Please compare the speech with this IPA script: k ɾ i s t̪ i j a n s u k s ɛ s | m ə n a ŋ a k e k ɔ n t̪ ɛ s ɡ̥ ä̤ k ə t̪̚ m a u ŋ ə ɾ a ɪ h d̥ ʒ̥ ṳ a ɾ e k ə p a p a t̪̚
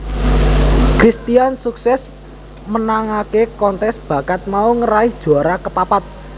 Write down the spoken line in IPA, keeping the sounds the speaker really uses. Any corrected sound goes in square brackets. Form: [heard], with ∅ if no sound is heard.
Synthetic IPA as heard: k ɾ i s t̪ i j a n s u k s ɛ s | m ə n a ŋ a k e k ɔ n t̪ ɛ s [b̥] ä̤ k [a] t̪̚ m a u ŋ ə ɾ a ɪ h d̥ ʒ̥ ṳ a ɾ [a] k ə p a p a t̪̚